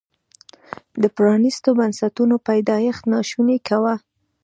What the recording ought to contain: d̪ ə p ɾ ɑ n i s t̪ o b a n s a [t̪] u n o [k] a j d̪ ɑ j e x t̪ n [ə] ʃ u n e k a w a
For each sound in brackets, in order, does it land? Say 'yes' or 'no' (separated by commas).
yes, no, no